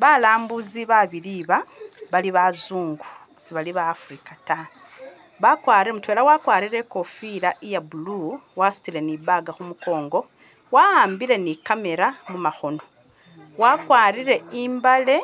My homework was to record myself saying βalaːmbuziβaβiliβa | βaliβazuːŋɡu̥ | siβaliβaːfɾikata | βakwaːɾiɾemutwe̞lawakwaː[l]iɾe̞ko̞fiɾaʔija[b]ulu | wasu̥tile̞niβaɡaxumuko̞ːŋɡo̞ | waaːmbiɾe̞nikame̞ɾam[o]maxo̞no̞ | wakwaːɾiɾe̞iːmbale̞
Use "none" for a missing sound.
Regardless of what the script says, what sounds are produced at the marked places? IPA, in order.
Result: ɾ, b, u

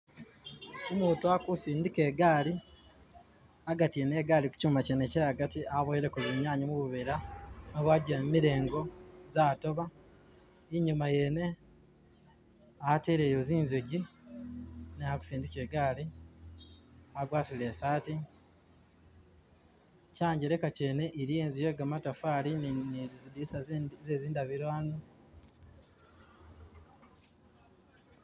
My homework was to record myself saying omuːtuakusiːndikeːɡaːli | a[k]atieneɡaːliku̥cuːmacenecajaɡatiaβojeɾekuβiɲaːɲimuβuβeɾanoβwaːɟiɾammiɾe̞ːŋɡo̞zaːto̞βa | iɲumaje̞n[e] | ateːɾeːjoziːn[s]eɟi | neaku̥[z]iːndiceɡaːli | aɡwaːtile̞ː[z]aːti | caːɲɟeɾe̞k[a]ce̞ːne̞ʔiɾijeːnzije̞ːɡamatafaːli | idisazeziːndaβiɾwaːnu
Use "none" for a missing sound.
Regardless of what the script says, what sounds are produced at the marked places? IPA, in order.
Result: ɡ, e, z, s, s, a

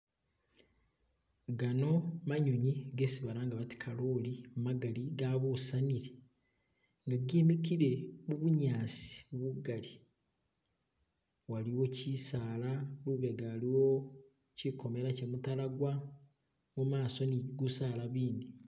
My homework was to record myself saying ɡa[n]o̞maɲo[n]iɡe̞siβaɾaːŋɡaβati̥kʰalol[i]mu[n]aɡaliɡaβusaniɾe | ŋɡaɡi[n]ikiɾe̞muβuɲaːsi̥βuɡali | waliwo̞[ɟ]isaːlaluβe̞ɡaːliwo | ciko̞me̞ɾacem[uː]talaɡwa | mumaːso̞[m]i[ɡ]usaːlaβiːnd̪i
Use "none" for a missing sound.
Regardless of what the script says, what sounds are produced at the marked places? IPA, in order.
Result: n, ɲ, i, m, m, c, u, n, ɡ

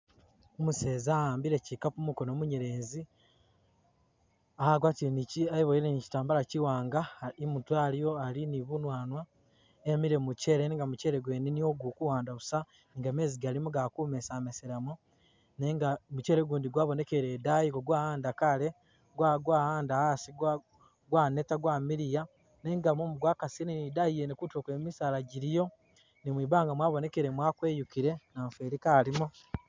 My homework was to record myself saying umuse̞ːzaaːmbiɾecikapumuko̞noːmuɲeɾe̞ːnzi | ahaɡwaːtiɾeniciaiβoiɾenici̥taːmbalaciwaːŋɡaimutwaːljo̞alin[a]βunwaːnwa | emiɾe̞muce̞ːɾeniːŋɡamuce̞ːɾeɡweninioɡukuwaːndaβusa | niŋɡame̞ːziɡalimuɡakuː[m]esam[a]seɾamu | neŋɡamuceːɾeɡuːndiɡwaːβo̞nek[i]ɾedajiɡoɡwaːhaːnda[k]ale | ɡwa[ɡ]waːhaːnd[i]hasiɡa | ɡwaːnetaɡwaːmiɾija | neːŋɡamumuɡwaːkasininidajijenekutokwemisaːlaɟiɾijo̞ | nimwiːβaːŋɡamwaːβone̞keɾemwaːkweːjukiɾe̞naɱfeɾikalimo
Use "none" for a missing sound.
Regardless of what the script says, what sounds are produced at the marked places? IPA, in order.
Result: i, m, e, e, k, ɡ, a

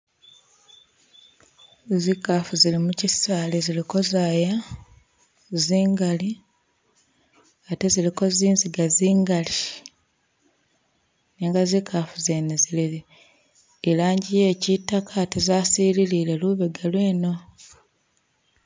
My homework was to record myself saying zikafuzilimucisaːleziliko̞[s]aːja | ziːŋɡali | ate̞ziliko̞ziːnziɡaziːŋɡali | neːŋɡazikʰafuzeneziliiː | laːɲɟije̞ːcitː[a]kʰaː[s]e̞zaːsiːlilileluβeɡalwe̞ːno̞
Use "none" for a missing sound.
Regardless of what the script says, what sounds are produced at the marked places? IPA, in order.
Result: z, a, t

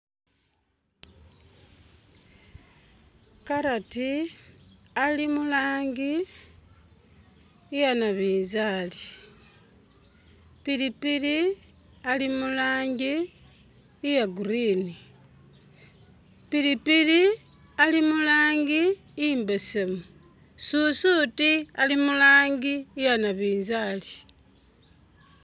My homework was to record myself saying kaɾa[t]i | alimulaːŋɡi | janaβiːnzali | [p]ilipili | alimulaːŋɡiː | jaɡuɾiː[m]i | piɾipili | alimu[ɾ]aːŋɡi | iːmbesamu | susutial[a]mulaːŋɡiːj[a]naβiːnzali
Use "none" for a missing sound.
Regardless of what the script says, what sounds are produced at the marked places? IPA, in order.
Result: t, p, n, l, i, a

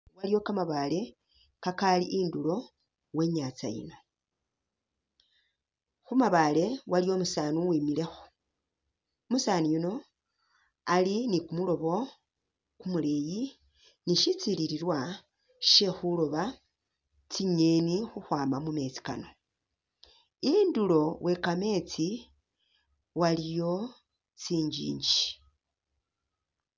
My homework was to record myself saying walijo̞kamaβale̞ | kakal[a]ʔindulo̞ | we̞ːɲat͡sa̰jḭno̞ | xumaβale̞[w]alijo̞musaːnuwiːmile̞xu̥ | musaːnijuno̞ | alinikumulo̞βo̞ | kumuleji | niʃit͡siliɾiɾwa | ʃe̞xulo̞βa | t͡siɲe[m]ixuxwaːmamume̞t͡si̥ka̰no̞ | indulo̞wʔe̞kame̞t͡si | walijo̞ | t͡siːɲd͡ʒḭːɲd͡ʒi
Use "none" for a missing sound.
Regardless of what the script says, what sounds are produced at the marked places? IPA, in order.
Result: i, w, n

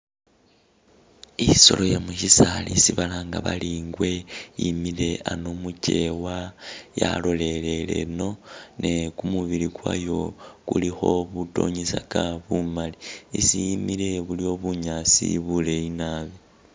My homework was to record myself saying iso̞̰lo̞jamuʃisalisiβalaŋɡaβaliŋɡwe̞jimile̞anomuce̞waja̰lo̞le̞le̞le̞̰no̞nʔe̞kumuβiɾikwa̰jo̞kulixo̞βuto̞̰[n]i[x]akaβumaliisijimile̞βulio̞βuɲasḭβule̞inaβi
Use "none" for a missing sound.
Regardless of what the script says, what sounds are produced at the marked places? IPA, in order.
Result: ɲ, s

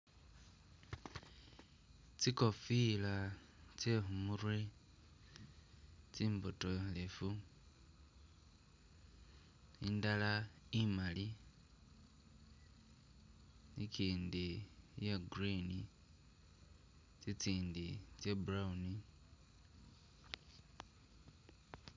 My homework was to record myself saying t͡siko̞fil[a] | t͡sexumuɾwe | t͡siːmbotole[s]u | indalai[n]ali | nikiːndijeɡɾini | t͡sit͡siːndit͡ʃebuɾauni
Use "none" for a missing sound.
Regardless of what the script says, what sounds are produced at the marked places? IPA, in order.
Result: a, f, m

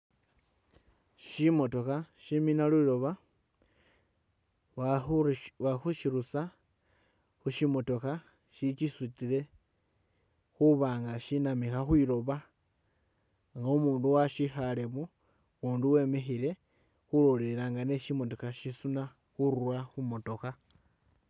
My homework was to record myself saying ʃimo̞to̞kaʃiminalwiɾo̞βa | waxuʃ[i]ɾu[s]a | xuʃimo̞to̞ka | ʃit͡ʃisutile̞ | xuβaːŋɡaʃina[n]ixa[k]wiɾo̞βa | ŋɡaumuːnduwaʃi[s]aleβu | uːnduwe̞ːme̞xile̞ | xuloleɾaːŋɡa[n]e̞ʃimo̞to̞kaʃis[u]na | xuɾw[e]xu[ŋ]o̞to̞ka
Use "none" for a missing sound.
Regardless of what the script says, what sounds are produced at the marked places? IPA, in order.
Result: i, s, m, x, x, n, u, a, m

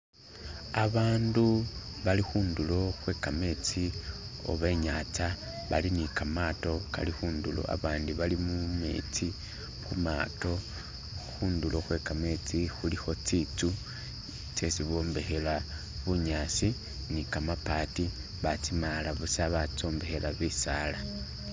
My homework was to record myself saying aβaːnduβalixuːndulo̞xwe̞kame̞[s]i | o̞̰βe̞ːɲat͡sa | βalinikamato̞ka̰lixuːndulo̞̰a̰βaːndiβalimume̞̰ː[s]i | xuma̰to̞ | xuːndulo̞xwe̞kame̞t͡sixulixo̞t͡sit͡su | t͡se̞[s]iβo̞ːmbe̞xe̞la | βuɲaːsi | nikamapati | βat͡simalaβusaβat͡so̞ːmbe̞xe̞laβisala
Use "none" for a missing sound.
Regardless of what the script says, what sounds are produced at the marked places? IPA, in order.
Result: t͡s, t͡s, s

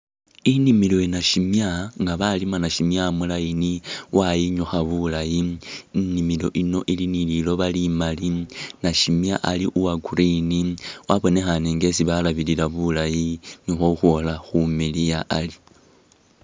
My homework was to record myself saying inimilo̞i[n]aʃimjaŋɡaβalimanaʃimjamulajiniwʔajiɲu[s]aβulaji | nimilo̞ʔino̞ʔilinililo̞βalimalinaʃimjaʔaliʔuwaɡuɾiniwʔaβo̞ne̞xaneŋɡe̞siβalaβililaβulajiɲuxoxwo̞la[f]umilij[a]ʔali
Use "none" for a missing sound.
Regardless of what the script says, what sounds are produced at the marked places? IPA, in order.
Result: n, x, x, a

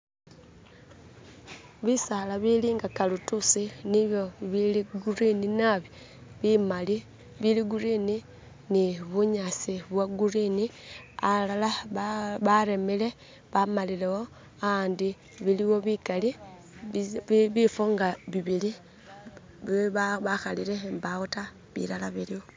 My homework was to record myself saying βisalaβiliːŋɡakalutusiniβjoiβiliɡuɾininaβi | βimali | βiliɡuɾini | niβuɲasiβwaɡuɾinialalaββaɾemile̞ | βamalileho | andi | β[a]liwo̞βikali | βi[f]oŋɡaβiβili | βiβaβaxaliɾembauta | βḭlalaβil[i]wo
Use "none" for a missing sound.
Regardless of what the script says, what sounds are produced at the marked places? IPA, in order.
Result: i, f, i

